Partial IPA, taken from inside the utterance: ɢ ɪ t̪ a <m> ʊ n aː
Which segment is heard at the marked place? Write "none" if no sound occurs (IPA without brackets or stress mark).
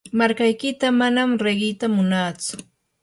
m